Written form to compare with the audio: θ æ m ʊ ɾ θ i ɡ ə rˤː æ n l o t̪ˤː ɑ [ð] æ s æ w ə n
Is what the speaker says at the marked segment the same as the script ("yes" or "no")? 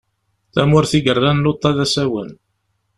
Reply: yes